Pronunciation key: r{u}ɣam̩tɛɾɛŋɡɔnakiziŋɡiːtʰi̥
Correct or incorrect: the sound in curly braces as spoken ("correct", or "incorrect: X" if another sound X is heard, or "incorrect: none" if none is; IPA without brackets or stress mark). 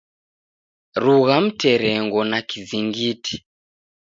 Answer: correct